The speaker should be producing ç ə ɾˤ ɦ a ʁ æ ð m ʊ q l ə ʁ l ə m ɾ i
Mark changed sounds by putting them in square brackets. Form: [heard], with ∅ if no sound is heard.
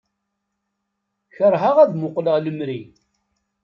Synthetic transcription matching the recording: ç ə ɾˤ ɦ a ʁ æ ð m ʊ q l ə ʁ l ə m ɾ i